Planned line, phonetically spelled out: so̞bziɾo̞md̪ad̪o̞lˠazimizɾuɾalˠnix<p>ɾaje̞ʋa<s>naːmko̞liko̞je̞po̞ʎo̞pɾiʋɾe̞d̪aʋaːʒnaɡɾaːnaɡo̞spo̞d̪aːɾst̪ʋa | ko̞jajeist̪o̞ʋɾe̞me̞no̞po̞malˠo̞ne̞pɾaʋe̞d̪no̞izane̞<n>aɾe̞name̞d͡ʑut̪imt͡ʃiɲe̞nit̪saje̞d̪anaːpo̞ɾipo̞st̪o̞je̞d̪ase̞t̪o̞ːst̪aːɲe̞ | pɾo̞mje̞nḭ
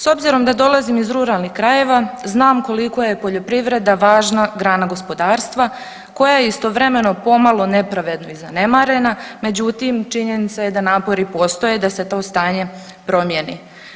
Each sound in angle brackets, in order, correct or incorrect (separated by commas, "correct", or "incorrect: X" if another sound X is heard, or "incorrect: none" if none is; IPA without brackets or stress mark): incorrect: k, incorrect: z, incorrect: m